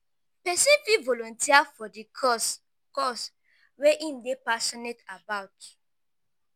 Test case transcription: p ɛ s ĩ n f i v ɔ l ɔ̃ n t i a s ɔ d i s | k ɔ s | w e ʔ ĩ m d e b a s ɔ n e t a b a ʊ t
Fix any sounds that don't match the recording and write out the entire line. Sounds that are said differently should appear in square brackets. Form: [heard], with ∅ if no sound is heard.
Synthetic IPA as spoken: p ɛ s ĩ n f i v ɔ l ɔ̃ n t i a [f] ɔ d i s | k ɔ s | w e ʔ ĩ m d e [p] a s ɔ n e t a b a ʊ t